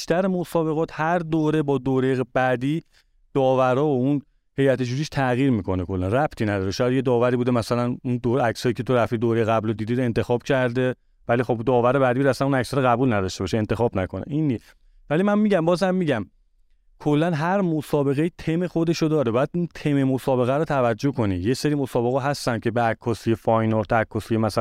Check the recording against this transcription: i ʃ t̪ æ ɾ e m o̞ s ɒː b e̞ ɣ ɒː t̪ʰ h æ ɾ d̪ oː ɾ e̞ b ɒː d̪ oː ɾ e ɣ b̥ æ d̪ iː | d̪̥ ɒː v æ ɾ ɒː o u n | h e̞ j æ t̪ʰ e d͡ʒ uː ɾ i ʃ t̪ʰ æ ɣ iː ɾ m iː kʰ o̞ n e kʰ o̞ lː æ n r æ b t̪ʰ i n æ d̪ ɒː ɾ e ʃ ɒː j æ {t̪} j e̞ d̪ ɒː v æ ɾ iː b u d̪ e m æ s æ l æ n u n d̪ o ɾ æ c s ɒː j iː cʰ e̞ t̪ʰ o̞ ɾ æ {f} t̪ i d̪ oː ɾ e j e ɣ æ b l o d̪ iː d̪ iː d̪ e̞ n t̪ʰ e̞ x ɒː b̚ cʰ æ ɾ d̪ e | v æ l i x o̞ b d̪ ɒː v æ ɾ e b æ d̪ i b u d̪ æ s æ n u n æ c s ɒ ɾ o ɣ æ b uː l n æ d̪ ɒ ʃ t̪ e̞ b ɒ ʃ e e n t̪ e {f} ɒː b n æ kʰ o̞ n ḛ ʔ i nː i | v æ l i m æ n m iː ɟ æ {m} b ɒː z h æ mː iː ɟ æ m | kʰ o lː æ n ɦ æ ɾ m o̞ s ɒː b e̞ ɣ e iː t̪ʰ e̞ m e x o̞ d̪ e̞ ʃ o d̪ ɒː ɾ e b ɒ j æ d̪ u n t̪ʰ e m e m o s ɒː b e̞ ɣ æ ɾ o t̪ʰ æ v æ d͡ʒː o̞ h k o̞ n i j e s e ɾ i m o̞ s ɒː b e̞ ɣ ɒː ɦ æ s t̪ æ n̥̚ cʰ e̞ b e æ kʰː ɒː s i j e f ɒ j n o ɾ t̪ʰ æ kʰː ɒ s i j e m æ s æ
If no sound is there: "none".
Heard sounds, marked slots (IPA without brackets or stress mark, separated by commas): d̪, f, x, m